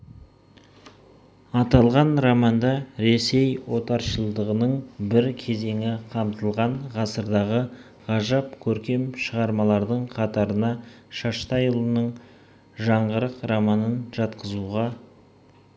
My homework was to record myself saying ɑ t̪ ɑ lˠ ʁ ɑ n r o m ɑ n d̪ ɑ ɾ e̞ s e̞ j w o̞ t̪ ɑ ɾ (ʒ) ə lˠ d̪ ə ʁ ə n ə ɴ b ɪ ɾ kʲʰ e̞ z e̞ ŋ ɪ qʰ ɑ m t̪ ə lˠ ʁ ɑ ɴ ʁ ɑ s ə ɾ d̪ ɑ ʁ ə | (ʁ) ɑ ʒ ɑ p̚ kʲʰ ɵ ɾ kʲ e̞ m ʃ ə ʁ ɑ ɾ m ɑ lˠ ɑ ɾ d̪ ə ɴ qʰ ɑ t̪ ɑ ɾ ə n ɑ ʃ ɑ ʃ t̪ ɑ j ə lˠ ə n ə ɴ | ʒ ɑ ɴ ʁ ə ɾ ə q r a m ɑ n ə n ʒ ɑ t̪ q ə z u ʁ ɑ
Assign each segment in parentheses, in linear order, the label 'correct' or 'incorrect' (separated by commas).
incorrect, correct